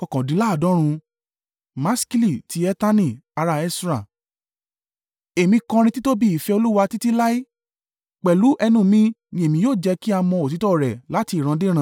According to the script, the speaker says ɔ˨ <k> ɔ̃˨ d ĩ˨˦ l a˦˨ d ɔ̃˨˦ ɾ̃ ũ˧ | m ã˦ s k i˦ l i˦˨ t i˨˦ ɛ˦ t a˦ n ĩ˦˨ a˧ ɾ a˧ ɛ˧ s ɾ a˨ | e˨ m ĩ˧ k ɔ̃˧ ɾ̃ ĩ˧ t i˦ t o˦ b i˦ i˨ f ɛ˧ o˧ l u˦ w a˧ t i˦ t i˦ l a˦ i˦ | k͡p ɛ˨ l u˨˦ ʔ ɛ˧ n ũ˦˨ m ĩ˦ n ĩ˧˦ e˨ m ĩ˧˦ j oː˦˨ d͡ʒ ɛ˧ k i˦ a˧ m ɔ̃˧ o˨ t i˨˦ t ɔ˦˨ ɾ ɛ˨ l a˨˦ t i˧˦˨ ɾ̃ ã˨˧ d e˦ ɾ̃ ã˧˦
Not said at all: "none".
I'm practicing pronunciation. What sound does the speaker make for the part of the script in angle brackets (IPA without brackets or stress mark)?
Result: k